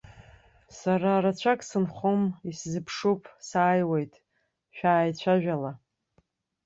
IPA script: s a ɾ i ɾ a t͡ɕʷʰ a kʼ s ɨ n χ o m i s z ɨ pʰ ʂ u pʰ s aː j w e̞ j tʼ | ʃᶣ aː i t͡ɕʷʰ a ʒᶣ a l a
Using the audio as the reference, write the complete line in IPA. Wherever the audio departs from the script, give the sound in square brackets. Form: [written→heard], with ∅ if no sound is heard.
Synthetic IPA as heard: s a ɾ [i→a] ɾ a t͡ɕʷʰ a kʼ s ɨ n χ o m i s z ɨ pʰ ʂ u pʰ s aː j w e̞ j tʼ | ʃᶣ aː [i→j] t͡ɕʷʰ a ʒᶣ a l a